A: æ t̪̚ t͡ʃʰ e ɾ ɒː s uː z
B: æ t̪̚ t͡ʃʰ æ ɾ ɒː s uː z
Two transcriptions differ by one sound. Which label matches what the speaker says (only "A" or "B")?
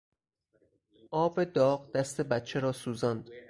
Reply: A